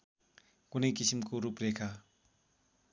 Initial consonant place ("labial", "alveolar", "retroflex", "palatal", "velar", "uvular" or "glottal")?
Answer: velar